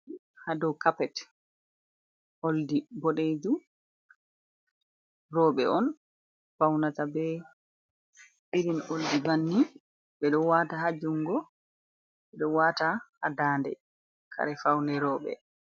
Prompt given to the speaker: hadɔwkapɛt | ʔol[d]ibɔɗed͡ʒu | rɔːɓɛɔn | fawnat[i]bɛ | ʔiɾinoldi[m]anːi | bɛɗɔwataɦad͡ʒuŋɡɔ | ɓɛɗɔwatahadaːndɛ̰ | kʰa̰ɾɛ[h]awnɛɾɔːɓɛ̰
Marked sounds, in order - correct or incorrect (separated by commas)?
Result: correct, incorrect, incorrect, incorrect